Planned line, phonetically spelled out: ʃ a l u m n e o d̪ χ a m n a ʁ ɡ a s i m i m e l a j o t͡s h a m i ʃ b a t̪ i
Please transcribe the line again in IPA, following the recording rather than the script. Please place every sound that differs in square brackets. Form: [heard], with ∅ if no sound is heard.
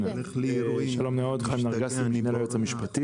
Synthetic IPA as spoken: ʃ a l [o] m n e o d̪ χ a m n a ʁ ɡ a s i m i [n] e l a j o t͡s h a m i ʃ [p] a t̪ i